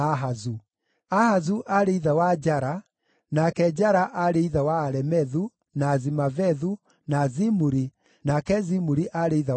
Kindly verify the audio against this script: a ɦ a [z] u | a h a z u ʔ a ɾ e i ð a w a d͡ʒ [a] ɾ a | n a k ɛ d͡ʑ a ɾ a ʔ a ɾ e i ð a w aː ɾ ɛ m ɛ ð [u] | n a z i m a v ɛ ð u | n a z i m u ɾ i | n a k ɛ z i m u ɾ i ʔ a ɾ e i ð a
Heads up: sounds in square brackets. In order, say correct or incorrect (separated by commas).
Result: correct, correct, correct